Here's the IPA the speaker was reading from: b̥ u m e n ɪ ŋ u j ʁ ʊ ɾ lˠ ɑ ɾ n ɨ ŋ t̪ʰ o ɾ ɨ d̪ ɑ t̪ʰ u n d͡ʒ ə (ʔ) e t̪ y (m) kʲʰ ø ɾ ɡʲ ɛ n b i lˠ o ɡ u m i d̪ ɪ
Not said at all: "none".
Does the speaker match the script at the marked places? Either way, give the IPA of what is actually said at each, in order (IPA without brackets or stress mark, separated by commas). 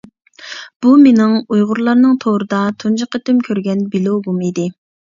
q, m